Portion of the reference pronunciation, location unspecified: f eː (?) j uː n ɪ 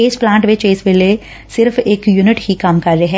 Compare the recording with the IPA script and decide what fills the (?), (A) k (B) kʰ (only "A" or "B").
A